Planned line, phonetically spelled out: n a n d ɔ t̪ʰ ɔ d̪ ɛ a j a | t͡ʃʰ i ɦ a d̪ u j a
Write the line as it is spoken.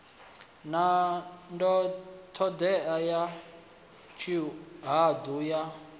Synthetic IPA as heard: n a n d ɔ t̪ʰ ɔ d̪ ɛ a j a | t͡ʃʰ i ɦ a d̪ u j a